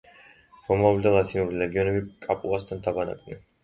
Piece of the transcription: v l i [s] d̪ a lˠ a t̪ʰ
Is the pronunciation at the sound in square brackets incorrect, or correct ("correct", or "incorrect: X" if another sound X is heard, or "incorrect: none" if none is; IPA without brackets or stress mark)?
incorrect: none